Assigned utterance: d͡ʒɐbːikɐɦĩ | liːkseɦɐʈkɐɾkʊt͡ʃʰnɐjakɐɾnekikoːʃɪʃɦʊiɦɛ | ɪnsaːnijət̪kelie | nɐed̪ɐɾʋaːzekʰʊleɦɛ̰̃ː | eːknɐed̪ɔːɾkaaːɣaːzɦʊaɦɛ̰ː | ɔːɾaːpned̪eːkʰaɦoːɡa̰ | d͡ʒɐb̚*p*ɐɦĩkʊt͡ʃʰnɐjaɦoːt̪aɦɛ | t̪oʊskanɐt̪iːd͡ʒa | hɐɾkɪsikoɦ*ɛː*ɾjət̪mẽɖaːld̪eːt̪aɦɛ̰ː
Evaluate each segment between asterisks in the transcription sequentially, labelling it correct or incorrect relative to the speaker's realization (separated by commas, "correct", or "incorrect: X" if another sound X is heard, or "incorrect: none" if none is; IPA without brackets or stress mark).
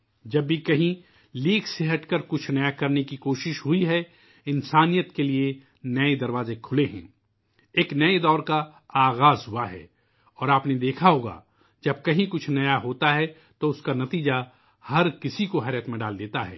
incorrect: k, correct